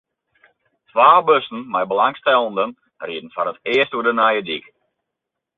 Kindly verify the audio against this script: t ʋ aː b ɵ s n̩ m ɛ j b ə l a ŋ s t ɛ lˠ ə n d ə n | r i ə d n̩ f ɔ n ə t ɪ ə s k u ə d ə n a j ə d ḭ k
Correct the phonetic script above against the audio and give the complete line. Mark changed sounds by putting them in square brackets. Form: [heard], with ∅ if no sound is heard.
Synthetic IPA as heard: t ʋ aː b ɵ s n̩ m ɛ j b ə l a ŋ s t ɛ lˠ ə n d ə n | r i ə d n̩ f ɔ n ə t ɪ ə s [t] u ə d ə n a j ə d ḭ k